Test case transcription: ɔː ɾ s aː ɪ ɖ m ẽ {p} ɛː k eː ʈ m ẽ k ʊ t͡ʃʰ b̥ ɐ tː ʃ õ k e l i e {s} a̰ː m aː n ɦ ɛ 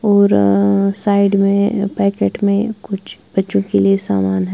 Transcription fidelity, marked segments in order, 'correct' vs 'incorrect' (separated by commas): correct, correct